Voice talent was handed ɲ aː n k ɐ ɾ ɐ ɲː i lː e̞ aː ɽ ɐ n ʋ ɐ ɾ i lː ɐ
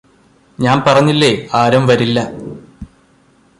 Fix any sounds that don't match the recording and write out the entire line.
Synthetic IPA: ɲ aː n p ɐ r ɐ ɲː i lː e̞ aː ɾ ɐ m ʋ ɐ ɾ i lː ɐ

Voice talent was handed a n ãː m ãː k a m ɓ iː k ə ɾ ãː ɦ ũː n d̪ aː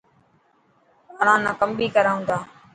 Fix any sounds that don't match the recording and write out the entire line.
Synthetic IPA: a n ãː n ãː k ə m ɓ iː k ə ɾ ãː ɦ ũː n d̪ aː

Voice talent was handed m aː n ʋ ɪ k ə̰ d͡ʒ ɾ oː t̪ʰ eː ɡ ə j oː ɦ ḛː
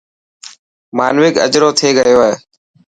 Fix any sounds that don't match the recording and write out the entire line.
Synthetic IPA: m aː n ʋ ɪ k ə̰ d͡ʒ ɾ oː t̪ʰ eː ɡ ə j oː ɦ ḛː

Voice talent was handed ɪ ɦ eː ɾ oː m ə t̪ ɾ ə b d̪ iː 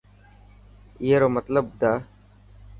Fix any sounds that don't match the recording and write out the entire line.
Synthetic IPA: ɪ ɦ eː ɾ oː m ə t̪ l ə b d̪ aː

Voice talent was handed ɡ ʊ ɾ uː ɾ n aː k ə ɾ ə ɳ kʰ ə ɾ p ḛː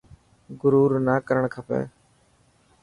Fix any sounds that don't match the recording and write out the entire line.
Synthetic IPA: ɡ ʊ ɾ uː ɾ n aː k ə ɾ ə ɳ kʰ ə p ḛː

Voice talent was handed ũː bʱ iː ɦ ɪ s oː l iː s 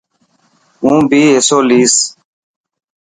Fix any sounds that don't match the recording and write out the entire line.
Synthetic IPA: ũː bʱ iː ɦ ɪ s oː l iː s

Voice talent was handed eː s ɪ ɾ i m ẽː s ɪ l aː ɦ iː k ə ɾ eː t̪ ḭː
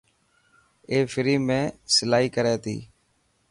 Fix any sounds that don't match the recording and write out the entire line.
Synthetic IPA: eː f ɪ ɾ iː m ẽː s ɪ l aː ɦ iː k ə ɾ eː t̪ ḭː

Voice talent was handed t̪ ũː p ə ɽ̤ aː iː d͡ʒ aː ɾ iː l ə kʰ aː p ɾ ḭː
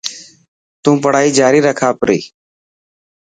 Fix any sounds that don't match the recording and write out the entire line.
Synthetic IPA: t̪ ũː p ə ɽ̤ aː iː d͡ʒ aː ɾ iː ɾ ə kʰ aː p ɾ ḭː

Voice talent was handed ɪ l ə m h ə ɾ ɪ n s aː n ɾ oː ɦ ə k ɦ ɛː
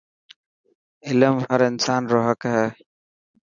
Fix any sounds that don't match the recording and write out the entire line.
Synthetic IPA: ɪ l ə m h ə ɾ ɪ n s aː n ɾ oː ɦ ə k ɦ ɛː

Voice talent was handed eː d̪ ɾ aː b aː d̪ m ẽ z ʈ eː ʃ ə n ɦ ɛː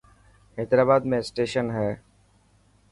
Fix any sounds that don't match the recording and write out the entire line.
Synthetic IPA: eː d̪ ɾ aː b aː d̪ m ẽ s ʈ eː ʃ ə n ɦ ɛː

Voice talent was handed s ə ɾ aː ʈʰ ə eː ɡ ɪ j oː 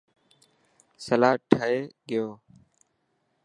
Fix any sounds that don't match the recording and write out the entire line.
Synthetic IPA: s ə l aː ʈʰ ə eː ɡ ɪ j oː

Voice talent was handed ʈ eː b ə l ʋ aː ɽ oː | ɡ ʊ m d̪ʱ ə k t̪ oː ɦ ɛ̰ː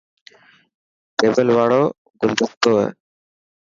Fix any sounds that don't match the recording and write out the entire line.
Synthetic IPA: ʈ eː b ə l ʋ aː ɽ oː | ɡ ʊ n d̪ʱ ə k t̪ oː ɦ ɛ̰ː

